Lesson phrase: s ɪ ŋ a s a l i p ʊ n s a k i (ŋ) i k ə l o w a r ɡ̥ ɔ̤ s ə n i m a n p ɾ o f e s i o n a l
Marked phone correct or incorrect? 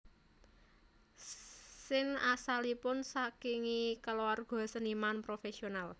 correct